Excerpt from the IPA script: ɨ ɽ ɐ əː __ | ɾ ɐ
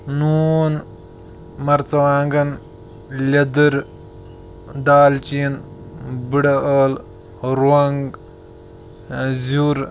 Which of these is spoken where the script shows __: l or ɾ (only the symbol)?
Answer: l